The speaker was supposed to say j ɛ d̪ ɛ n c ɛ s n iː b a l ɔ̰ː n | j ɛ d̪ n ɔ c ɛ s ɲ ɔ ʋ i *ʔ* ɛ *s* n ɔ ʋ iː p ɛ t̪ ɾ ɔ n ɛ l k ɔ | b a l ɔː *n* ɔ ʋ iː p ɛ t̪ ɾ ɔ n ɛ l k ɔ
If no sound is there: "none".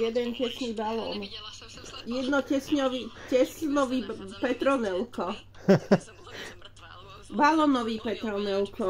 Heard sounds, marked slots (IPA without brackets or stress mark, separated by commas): c, s, n